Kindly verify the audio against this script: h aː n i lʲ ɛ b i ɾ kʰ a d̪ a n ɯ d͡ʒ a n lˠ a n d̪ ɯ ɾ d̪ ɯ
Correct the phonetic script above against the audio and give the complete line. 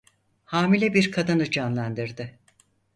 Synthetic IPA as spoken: h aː m i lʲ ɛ b i ɾ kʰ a d̪ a n ɯ d͡ʒ a n lˠ a n d̪ ɯ ɾ d̪ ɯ